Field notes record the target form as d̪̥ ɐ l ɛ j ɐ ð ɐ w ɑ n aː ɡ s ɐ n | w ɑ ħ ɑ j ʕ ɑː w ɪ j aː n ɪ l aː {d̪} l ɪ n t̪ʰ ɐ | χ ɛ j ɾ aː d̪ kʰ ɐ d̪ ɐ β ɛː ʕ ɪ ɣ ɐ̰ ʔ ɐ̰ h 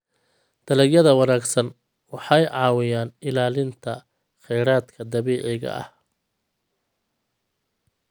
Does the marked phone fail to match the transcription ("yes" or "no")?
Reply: yes